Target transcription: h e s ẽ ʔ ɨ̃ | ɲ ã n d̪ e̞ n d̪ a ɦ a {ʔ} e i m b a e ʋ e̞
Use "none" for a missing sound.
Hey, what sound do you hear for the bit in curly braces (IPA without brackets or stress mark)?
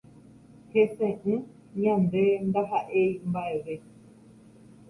ʔ